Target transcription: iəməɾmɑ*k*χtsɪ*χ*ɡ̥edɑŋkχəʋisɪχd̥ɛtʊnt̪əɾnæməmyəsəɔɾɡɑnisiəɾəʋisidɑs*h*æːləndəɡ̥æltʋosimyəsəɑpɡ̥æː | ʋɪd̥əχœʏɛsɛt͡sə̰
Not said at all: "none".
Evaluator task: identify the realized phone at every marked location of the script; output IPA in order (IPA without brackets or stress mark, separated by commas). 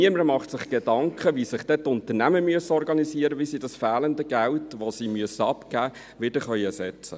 none, χ, f